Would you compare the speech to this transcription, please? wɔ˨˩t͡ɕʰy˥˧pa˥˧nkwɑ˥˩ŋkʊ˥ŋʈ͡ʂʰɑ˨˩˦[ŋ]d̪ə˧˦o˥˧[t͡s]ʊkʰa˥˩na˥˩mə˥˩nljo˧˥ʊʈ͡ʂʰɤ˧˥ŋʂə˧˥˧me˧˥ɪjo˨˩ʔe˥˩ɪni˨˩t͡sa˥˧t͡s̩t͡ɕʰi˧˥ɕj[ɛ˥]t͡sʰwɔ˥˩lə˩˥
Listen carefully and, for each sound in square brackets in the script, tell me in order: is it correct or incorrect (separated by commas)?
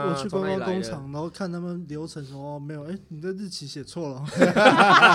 correct, incorrect, incorrect